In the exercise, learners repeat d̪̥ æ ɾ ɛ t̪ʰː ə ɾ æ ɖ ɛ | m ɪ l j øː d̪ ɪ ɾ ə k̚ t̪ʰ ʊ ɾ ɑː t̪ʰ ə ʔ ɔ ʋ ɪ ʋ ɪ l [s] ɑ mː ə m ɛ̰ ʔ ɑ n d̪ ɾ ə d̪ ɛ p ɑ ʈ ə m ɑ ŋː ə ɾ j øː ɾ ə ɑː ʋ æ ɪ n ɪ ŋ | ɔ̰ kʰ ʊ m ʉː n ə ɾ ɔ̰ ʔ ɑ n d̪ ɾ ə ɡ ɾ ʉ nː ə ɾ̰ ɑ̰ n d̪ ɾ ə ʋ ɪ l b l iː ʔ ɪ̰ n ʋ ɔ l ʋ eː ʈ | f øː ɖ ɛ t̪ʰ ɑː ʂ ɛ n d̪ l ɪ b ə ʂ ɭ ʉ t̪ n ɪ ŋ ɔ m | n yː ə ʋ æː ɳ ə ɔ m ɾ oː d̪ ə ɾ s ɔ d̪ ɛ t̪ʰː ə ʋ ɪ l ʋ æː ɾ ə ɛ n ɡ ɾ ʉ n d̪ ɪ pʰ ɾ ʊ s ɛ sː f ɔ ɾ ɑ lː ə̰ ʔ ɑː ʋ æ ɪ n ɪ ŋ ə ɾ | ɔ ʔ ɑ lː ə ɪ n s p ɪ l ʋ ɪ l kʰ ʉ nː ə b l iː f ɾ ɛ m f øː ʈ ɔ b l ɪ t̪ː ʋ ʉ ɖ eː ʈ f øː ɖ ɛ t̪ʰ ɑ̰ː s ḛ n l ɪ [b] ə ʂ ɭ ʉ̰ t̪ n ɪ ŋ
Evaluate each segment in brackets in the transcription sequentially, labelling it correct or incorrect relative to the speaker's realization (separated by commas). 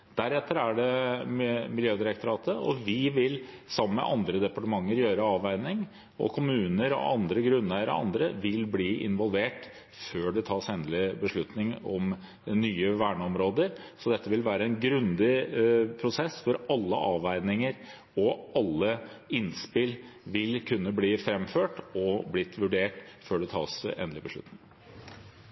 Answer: correct, correct